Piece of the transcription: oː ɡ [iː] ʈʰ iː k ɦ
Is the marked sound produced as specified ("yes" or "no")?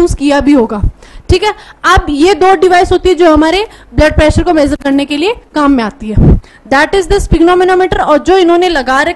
no